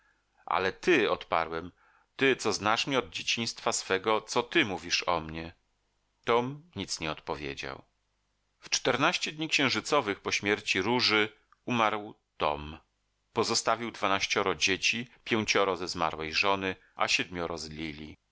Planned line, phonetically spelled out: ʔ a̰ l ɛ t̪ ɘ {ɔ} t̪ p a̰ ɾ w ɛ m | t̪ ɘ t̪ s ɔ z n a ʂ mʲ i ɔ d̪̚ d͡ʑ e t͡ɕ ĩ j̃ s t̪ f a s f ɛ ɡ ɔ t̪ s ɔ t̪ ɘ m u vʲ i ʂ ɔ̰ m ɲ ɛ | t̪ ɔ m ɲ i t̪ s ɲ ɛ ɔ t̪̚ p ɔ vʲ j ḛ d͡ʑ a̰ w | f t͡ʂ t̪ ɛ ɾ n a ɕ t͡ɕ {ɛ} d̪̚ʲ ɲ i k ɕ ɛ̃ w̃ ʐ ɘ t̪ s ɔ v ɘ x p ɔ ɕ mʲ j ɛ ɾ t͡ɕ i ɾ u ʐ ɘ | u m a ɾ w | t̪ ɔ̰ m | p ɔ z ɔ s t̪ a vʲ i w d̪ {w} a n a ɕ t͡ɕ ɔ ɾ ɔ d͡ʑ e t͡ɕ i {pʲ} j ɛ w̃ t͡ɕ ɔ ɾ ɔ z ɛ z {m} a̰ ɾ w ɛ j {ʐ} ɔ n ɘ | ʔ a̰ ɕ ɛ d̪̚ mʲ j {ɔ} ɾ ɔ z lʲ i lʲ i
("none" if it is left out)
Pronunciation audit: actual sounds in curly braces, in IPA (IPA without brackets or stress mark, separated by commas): ɔ, ɛ, v, pʲ, m, ʐ, ɔ